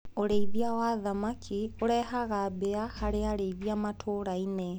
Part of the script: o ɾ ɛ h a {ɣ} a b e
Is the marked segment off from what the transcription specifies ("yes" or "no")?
no